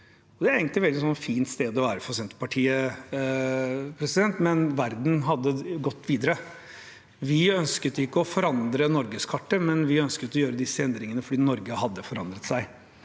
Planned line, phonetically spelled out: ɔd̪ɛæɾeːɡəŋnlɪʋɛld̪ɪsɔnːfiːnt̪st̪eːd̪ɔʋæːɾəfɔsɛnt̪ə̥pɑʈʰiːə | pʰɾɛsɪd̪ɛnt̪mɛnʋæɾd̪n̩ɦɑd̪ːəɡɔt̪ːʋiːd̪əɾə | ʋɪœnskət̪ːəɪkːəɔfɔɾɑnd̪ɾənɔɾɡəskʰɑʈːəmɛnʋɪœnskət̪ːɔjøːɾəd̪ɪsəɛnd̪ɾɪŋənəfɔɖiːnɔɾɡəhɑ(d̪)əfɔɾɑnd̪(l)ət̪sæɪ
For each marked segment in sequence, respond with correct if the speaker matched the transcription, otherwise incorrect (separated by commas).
incorrect, incorrect